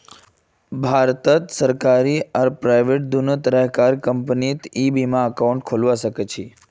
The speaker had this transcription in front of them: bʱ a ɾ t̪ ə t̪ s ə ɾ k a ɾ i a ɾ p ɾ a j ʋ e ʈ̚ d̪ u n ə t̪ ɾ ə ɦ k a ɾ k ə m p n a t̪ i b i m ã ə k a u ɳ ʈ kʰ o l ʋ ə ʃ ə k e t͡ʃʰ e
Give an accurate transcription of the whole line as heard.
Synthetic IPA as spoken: bʱ a ɾ t̪ ə t̪ s ə ɾ k a ɾ i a ɾ p ɾ a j ʋ e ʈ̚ d̪ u n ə t̪ ɾ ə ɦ k a ɾ k ə m p n i t̪ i b i m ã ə k a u ɳ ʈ kʰ o l ʋ a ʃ ə k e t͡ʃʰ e